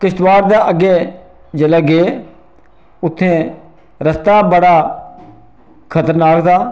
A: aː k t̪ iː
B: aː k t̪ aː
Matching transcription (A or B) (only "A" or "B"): B